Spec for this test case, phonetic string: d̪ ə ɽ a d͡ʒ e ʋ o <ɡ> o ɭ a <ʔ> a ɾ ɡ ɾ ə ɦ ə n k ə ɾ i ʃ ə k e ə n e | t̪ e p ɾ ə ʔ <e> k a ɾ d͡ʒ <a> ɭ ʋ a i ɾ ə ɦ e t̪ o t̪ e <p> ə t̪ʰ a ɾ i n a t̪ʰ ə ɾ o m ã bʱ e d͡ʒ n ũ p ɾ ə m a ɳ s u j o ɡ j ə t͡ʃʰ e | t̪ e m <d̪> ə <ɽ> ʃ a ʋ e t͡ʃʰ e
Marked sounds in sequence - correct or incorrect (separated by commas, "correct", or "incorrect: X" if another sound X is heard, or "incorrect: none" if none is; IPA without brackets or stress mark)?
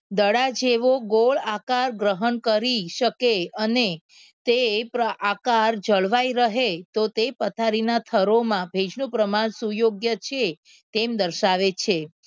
correct, incorrect: k, incorrect: a, incorrect: ə, correct, correct, incorrect: ɾ